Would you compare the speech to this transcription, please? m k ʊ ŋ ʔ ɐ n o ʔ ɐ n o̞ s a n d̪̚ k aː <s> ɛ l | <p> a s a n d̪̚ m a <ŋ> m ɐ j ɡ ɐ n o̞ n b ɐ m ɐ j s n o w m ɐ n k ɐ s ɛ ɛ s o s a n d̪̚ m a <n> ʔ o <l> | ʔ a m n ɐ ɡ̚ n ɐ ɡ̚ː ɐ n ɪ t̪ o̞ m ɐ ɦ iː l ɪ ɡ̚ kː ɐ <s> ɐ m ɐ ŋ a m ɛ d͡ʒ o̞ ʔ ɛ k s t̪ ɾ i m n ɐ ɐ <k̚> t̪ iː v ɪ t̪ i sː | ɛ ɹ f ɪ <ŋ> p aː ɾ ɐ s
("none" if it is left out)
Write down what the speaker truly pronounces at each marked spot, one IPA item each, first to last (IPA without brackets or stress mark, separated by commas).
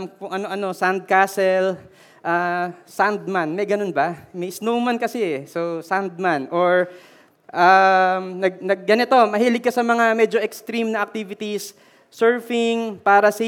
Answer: s, ʔ, n, n, ɹ, s, k̚, ŋ